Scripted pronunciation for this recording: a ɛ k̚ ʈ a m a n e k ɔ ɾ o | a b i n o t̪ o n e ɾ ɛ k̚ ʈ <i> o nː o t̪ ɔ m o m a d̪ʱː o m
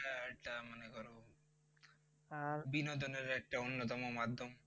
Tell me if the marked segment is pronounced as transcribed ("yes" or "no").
no